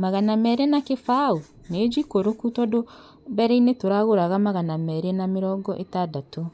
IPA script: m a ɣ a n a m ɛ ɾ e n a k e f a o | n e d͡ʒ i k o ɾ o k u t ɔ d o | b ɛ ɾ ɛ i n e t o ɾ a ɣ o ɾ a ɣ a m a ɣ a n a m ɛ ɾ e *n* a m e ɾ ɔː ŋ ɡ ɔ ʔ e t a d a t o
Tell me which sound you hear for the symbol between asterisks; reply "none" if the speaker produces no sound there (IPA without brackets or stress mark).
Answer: n